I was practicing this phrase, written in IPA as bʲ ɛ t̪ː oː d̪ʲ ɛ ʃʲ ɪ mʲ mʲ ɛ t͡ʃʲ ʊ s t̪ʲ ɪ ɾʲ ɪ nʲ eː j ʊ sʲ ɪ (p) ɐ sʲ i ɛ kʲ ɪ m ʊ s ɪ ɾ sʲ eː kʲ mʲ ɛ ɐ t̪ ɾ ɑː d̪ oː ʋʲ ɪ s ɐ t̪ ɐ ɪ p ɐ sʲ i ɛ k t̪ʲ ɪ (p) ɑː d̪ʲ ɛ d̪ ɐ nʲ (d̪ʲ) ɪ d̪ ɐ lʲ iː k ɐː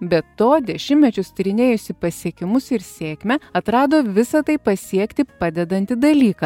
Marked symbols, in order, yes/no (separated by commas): yes, yes, no